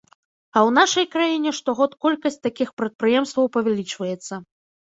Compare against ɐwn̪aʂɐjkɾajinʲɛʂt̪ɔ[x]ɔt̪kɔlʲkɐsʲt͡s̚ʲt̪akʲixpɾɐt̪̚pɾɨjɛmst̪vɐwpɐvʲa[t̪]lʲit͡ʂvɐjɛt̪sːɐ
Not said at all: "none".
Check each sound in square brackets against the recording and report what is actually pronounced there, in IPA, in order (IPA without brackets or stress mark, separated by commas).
ɣ, none